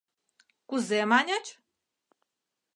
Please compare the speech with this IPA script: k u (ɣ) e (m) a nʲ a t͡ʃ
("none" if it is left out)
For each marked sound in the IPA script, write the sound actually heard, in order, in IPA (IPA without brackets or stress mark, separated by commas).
z, m